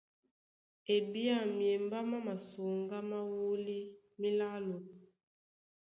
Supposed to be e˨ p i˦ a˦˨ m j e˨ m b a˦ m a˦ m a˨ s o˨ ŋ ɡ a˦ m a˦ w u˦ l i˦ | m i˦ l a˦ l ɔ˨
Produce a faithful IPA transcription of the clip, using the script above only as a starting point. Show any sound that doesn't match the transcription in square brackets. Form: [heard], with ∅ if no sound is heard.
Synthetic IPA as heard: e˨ [b] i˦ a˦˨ m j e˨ m b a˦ m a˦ m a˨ s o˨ ŋ ɡ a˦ m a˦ w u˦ l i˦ | m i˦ l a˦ l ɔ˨